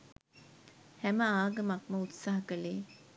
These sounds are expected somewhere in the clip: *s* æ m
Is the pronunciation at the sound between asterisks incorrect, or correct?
incorrect